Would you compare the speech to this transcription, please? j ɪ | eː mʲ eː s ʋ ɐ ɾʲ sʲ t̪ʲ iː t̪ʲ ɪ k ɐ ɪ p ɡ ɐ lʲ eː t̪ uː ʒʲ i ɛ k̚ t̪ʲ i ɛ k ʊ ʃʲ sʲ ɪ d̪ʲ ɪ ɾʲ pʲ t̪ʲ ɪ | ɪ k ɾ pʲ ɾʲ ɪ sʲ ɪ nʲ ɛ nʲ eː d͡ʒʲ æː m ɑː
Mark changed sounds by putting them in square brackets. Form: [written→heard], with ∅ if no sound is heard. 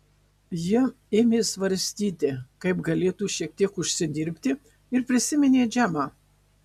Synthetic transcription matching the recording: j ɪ | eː mʲ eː s ʋ ɐ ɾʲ sʲ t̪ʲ iː t̪ʲ ɪ k ɐ ɪ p ɡ ɐ lʲ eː t̪ uː [ʒʲ→ʃʲ] i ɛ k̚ t̪ʲ i ɛ k ʊ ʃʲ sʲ ɪ d̪ʲ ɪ ɾʲ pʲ t̪ʲ ɪ | ɪ [k→∅] ɾ pʲ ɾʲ ɪ sʲ ɪ [nʲ→mʲ] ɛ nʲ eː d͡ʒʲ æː m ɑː